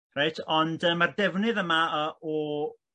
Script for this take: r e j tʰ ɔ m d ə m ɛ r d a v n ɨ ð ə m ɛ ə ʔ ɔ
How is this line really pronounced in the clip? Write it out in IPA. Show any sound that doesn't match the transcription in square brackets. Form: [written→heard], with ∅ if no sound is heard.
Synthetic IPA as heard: r [e→a] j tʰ ɔ [m→n] d ə m [ɛ→a] r d [a→ɛ] v n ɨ ð ə m [ɛ→a] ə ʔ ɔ